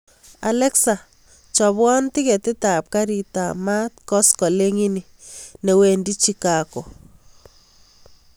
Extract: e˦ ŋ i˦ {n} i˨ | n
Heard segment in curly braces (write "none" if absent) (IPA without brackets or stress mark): n